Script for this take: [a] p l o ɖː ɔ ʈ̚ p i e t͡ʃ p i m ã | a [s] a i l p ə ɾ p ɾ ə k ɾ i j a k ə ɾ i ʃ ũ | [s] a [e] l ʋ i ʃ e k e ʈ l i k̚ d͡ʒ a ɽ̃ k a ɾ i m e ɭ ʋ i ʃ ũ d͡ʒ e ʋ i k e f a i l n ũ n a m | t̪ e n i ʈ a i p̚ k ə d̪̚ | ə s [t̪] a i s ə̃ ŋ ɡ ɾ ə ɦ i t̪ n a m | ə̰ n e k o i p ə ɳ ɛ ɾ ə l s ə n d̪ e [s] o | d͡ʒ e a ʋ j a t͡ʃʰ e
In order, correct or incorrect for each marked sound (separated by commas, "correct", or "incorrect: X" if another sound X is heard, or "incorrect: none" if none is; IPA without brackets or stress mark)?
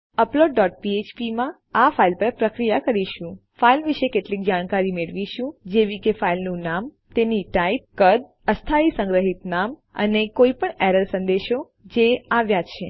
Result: incorrect: ə, incorrect: f, incorrect: f, incorrect: i, incorrect: t̪ʰ, incorrect: ʃ